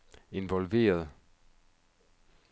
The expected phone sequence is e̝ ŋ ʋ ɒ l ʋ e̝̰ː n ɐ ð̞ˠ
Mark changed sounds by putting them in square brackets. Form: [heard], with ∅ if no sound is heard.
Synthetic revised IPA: e̝ [n] ʋ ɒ l ʋ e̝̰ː [∅] ɐ ð̞ˠ